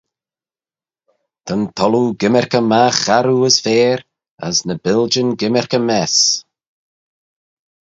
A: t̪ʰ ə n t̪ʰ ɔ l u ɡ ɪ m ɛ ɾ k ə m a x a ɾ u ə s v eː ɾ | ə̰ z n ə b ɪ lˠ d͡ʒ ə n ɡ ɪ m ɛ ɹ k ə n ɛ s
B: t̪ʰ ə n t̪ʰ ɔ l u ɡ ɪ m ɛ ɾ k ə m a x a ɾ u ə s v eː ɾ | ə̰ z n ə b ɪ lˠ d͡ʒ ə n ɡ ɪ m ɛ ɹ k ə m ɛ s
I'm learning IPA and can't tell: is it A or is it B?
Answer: B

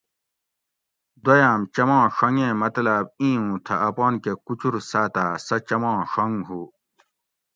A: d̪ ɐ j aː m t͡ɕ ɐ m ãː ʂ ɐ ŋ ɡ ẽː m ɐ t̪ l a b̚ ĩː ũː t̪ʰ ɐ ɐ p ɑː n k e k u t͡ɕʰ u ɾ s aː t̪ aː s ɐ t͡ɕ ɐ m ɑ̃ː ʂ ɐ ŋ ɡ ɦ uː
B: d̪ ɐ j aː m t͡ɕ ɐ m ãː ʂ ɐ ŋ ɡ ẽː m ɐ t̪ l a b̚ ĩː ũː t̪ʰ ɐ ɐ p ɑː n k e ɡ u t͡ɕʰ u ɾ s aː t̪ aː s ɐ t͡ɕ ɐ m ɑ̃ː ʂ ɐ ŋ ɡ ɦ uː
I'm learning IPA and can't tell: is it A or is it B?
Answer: A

